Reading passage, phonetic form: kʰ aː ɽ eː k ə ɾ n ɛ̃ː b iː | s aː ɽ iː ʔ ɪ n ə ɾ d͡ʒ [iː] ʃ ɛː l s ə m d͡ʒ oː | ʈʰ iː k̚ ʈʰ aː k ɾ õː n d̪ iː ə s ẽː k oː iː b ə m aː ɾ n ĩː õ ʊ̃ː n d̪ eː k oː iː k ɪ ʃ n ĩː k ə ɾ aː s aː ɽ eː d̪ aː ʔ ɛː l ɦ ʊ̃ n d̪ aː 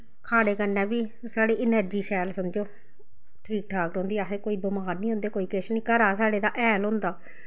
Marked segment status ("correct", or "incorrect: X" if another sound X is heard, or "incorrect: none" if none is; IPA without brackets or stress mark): correct